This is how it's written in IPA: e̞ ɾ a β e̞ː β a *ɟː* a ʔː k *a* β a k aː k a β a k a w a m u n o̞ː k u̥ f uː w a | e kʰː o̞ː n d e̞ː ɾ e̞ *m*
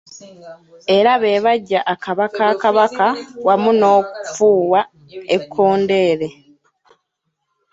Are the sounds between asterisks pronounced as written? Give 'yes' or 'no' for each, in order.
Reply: yes, yes, no

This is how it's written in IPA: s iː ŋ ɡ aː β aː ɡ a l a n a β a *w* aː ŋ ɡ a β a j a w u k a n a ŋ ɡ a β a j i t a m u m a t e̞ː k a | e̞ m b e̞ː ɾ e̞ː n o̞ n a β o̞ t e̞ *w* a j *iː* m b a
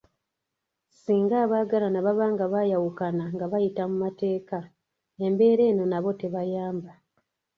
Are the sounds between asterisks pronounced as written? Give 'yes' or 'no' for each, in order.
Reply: no, no, no

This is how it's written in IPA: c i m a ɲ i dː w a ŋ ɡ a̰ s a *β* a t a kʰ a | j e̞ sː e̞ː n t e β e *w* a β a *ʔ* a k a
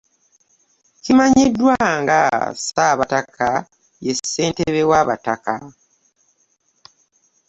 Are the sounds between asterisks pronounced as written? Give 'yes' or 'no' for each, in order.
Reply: yes, yes, no

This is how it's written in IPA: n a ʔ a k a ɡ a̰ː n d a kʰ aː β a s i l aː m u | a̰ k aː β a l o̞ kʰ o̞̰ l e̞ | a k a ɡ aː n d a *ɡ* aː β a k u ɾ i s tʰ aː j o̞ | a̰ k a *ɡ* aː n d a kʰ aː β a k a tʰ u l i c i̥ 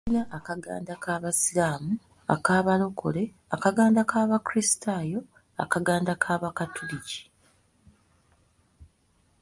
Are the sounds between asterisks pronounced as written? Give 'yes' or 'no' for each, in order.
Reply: no, yes

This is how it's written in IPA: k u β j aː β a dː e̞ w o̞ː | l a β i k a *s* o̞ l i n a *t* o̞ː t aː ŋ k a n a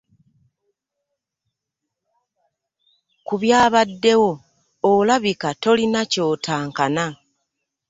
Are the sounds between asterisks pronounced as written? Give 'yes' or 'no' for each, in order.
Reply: no, no

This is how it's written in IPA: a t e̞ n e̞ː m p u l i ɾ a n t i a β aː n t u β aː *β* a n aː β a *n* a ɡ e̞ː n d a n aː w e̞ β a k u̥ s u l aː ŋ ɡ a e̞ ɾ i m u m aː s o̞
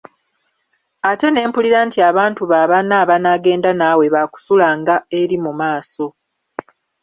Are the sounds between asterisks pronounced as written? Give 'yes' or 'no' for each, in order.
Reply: yes, yes

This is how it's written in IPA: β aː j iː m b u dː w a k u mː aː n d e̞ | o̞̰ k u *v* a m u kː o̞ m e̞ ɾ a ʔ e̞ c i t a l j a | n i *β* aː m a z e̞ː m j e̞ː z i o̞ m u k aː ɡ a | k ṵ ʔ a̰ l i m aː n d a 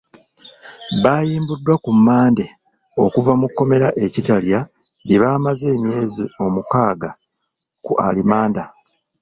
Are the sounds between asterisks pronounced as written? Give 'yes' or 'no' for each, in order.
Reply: yes, yes

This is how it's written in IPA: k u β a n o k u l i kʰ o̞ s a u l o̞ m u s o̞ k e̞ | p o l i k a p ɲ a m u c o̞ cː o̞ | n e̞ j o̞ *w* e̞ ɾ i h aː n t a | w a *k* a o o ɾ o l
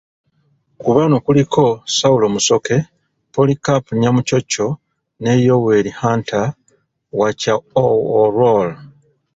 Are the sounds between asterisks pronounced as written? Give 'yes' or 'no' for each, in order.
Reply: yes, no

